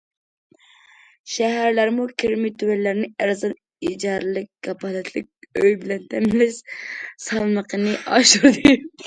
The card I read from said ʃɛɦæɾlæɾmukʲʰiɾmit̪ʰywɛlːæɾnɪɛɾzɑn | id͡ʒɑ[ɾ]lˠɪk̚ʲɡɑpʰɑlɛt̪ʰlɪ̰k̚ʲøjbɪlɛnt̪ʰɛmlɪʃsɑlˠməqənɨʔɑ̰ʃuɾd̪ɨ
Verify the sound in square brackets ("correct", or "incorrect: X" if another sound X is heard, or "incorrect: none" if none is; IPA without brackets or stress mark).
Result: correct